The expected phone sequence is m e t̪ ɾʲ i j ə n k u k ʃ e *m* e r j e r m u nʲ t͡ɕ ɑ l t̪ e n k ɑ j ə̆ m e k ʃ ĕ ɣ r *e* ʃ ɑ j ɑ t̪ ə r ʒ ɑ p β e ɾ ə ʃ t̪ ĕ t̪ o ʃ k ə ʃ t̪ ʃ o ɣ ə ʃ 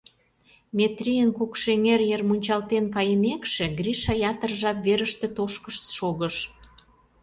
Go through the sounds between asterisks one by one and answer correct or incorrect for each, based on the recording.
incorrect: ŋ, incorrect: i

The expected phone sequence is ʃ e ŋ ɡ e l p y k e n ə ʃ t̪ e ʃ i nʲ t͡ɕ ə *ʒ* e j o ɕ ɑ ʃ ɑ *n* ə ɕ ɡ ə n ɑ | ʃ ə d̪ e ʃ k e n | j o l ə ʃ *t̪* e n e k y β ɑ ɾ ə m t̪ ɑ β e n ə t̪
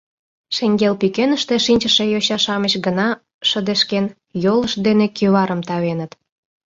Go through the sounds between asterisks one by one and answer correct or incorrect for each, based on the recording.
incorrect: ʃ, incorrect: m, incorrect: d̪

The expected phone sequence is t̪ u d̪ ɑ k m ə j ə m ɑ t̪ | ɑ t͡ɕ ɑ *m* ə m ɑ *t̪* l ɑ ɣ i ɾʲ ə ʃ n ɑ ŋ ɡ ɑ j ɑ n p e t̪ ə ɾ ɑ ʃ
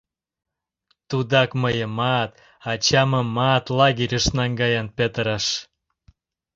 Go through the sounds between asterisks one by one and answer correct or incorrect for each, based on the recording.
correct, correct

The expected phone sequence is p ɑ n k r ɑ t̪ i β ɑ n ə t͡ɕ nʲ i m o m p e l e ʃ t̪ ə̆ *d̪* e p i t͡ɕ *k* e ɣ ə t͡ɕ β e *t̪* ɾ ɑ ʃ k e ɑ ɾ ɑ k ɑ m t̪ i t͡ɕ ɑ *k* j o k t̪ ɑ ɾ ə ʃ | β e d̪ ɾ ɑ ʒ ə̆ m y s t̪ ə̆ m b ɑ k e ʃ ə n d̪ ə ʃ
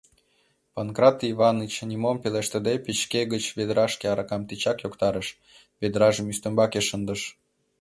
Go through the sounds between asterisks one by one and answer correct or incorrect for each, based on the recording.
correct, correct, incorrect: d̪, correct

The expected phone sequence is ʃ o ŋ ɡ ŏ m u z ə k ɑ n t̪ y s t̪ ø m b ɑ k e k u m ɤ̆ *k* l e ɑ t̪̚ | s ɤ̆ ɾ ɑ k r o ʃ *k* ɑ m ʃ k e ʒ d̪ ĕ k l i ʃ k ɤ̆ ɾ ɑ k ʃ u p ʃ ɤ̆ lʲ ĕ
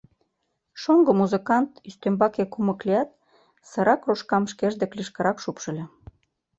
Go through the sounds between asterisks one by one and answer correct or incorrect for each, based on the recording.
correct, correct

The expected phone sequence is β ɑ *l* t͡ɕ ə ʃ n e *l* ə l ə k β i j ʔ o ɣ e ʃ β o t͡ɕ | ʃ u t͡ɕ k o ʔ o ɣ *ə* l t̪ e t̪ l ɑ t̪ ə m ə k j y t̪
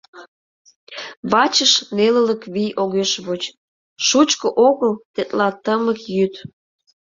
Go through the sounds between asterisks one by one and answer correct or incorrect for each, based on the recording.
incorrect: none, correct, correct

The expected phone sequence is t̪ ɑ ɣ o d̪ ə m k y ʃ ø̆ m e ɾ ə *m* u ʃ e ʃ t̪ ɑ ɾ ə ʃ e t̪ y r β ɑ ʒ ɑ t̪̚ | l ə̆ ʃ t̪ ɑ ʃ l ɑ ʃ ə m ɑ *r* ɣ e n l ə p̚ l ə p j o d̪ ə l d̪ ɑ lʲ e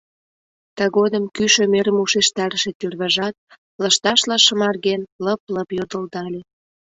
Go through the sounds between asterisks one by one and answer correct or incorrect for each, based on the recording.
correct, correct

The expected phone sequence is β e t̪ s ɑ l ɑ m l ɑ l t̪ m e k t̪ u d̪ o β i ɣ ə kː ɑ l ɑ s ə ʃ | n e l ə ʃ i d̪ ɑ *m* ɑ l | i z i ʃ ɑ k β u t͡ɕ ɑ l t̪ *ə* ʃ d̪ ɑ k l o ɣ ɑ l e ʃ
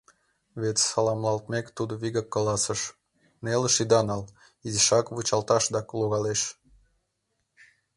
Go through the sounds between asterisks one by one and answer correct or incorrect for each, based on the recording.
incorrect: n, incorrect: ɑ

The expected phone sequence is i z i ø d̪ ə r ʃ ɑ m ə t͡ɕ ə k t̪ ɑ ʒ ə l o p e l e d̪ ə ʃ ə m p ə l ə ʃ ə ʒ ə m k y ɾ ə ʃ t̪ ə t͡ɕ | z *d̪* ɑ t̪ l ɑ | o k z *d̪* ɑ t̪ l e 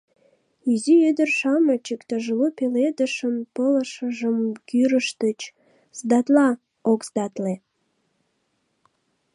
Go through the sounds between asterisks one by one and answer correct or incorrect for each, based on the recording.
correct, correct

